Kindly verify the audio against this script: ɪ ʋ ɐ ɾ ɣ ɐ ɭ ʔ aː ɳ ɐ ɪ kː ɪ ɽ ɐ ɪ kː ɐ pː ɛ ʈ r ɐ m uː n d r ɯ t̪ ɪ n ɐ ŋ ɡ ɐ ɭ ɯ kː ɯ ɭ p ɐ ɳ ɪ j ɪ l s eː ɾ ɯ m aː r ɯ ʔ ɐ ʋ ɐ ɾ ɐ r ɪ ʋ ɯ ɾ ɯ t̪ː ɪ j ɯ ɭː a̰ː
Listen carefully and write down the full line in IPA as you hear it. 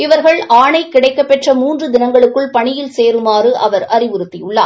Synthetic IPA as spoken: ɪ ʋ ɐ ɾ ɣ ɐ ɭ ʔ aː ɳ ɐ ɪ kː ɪ ɽ ɐ ɪ kː ɐ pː ɛ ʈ r ɐ m uː n d r ɯ d̪ ɪ n ɐ ŋ ɡ ɐ ɭ ɯ kː ɯ ɭ p ɐ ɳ ɪ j ɪ l s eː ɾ ɯ m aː r ɯ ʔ ɐ ʋ ɐ ɾ ɐ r ɪ ʋ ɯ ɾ ɯ t̪ː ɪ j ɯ ɭː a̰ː

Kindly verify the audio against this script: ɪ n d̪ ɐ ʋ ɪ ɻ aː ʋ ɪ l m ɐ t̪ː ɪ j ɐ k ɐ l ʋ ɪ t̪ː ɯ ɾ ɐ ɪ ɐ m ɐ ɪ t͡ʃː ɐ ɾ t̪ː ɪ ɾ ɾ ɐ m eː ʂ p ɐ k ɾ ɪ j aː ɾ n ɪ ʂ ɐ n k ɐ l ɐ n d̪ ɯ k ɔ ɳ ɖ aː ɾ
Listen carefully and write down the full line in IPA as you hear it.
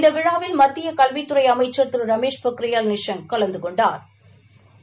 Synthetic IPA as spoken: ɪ n d̪ ɐ ʋ ɪ ɻ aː ʋ ɪ l m ɐ t̪ː ɪ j ɐ k ɐ l ʋ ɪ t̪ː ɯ ɾ ɐ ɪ ɐ m ɐ ɪ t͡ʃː ɐ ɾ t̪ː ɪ ɾ ɾ ɐ m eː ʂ p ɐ k ɾ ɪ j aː l n ɪ ʂ ɐ n k ɐ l ɐ n d̪ ɯ k ɔ ɳ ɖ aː ɾ

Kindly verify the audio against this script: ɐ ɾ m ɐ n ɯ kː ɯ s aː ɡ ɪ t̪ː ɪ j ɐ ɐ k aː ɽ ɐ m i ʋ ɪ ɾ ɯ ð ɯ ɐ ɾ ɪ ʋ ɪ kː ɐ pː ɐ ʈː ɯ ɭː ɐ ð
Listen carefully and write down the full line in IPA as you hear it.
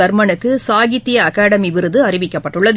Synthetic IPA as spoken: ɐ ɾ m ɐ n ɯ kː ɯ s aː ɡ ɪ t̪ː ɪ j ɐ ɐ k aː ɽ ɐ m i ʋ ɪ ɾ ɯ ð ɯ ɐ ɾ ɪ ʋ ɪ kː ɐ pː ɐ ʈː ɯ ɭː ɐ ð

